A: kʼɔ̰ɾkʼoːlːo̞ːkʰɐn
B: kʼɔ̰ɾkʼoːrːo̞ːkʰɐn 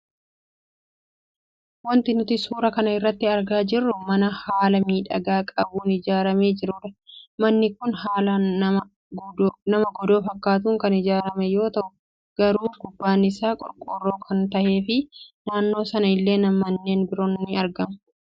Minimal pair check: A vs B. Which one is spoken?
B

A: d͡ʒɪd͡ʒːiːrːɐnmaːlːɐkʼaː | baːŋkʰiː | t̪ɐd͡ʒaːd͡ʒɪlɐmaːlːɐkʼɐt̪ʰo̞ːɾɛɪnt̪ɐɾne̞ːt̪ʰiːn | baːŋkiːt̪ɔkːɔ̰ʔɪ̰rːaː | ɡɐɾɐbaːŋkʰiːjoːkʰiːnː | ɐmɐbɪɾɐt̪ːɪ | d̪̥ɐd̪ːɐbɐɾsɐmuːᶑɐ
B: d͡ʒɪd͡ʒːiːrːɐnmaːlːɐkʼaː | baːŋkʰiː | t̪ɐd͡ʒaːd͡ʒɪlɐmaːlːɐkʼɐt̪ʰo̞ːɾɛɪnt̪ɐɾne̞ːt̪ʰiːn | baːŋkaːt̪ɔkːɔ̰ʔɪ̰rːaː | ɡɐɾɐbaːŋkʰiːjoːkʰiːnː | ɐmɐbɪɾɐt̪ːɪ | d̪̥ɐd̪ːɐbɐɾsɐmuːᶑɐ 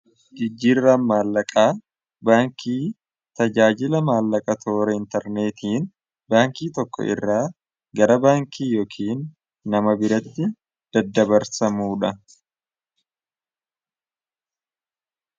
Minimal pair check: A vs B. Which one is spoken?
A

